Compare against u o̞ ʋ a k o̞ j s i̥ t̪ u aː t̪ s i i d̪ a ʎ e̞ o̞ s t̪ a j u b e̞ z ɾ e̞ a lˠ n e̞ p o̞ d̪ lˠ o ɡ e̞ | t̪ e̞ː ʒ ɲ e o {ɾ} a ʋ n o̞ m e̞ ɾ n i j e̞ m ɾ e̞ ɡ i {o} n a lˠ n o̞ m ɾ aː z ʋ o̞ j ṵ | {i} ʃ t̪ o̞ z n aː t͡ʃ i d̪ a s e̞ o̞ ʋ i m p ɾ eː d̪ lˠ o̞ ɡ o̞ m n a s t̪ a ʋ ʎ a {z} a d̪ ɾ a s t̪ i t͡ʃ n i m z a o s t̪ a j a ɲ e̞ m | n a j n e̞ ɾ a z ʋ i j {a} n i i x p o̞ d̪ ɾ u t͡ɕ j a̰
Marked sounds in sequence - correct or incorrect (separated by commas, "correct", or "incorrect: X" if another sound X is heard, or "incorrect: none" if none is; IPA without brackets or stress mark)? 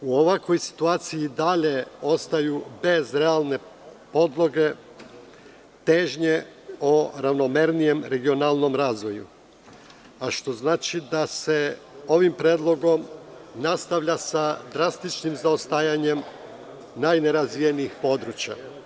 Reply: correct, correct, incorrect: a, incorrect: s, incorrect: e